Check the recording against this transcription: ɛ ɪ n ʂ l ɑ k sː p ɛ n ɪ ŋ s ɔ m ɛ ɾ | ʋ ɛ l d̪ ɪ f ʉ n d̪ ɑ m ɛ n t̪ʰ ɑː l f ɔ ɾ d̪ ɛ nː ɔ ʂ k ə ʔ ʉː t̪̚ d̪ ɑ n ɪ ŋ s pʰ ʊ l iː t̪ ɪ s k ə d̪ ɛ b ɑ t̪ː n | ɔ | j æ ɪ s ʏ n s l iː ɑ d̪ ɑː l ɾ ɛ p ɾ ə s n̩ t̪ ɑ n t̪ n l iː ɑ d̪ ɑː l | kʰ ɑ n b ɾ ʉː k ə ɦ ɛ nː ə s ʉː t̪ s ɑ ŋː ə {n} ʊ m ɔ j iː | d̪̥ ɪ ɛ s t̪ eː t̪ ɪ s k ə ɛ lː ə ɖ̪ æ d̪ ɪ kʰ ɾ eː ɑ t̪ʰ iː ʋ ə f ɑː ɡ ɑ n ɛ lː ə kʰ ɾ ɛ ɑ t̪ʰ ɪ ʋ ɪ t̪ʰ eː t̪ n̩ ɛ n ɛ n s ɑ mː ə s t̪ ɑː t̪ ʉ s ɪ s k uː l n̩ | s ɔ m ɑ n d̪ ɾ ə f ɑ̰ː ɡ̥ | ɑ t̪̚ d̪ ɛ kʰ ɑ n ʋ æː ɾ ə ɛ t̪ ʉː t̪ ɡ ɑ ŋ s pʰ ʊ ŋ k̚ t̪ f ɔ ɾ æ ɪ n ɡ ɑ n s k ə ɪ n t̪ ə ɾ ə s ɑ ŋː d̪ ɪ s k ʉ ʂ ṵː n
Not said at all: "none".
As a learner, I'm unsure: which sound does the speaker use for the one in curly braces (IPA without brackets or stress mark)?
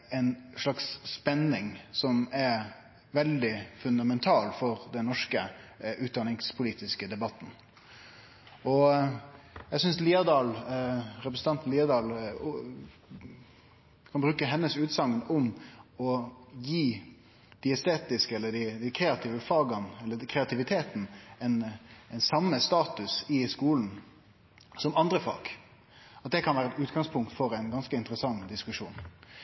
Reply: n